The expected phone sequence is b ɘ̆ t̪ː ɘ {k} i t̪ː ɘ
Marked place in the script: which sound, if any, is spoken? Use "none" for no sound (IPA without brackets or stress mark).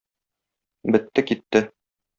k